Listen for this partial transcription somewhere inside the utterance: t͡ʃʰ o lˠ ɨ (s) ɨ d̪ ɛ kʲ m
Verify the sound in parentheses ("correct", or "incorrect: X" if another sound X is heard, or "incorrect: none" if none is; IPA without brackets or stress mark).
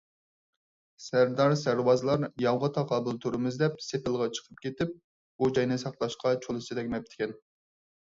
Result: correct